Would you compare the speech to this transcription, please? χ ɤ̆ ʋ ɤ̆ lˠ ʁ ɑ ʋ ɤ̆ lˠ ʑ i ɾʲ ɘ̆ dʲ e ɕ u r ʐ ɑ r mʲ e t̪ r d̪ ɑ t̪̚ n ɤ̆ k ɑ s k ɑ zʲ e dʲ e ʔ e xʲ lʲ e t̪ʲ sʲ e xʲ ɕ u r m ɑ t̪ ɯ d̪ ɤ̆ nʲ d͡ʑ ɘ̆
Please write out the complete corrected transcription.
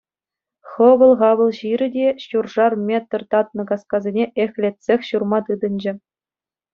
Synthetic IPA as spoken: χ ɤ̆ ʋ ɤ̆ lˠ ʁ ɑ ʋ ɤ̆ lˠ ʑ i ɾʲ ɘ̆ dʲ e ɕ u r ʐ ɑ r mʲ e t̪ r t̪ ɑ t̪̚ n ɤ̆ k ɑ s k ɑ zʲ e nʲ e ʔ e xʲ lʲ e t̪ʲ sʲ e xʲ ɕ u r m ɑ t̪ ɯ d̪ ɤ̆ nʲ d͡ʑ ɘ̆